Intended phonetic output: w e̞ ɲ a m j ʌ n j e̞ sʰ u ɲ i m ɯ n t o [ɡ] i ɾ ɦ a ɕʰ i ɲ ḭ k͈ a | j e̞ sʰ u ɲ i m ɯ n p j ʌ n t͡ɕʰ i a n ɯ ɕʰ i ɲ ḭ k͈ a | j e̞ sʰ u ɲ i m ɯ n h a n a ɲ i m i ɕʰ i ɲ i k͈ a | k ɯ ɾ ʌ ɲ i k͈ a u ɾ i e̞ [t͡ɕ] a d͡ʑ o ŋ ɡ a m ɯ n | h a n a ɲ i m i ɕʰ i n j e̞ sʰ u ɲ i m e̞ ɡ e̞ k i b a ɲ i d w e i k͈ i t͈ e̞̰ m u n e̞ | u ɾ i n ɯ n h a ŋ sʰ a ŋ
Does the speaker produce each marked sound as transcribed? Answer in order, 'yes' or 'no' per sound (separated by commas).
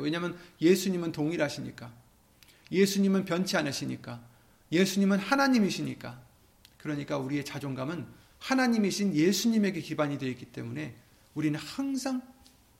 no, yes